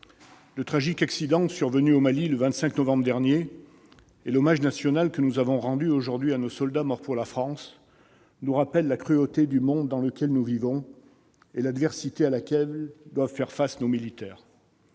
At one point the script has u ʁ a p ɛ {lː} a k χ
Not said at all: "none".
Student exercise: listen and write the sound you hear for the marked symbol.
lː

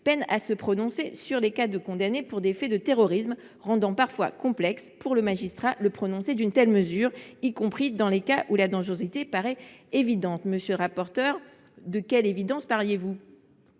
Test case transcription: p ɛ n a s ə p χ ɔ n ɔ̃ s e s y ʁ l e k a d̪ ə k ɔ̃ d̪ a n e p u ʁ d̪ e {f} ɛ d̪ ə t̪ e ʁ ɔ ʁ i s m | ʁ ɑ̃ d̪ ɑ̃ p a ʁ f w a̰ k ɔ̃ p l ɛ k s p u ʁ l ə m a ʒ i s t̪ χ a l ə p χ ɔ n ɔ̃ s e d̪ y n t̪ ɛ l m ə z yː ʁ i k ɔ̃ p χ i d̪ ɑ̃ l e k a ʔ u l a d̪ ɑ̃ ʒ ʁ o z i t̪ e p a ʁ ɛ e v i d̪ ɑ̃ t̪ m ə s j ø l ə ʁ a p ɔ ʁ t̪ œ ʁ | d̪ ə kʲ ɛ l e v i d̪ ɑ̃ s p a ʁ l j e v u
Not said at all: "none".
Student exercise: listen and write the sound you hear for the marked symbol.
f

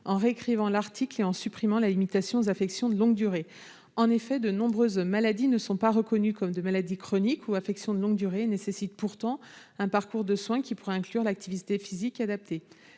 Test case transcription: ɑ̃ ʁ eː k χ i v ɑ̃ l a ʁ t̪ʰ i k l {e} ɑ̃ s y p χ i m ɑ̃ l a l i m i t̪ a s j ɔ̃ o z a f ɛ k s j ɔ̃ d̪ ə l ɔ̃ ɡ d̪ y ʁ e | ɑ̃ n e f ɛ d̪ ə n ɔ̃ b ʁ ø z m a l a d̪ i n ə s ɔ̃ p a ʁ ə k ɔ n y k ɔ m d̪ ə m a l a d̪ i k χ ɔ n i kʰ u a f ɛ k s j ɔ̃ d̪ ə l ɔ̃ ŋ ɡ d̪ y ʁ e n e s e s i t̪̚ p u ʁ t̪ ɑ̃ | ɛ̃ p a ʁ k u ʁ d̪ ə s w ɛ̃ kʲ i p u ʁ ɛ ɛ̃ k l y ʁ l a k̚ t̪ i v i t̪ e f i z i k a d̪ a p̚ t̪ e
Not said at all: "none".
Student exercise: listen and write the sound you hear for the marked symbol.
e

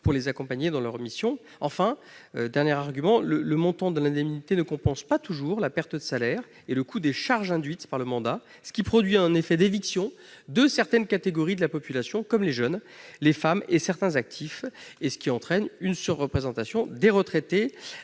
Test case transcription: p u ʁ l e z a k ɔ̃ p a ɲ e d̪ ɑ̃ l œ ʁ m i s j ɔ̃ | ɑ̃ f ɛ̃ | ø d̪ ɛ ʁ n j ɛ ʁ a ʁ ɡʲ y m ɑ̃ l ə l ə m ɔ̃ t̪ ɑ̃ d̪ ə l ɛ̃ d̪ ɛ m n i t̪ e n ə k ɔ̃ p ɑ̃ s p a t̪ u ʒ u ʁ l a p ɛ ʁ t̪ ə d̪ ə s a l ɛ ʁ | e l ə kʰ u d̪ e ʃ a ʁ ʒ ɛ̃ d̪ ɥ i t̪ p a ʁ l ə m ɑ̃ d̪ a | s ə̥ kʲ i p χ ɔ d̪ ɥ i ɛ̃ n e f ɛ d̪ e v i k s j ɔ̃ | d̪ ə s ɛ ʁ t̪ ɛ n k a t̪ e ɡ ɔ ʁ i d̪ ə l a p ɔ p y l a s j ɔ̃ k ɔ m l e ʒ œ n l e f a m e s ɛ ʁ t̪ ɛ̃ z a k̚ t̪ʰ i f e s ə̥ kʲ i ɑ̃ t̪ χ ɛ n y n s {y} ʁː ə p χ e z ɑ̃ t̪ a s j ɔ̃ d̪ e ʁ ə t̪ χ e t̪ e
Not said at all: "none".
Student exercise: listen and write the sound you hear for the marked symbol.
y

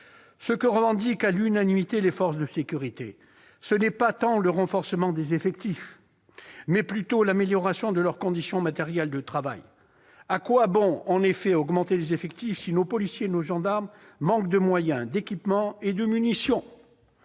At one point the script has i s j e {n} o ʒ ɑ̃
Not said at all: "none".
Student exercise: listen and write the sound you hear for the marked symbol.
n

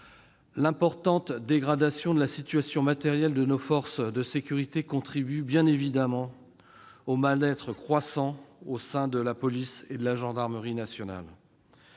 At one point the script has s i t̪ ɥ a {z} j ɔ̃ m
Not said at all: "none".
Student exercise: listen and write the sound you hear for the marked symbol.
s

